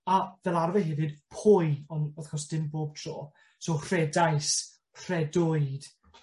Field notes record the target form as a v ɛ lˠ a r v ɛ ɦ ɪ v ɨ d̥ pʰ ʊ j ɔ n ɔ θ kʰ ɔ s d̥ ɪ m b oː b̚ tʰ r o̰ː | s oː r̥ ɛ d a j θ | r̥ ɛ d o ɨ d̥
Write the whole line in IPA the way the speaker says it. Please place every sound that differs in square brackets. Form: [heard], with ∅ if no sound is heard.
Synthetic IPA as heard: a v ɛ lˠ a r v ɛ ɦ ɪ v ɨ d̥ pʰ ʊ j ɔ n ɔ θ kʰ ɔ s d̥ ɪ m b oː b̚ tʰ r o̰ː | s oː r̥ ɛ d a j [s] | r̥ ɛ d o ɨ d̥